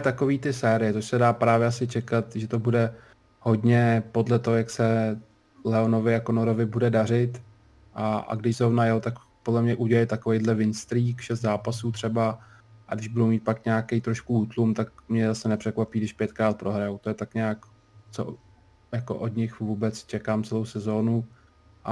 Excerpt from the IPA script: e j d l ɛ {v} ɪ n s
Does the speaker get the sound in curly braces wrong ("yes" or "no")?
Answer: no